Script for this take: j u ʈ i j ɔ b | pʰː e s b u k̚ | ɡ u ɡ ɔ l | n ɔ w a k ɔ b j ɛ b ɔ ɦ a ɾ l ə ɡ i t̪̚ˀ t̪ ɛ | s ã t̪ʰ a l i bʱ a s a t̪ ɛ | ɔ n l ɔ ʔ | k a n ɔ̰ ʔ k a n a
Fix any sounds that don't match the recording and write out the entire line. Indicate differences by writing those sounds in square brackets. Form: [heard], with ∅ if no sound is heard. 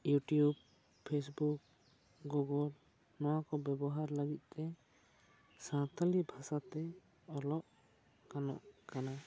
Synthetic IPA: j u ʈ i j [u] b | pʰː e s b u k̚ | ɡ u ɡ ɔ l | n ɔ w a k ɔ b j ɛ b ɔ ɦ a ɾ l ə ɡ i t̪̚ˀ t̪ ɛ | s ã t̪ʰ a l i bʱ a s a t̪ ɛ | ɔ [∅] l ɔ ʔ | k a n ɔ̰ ʔ k a n a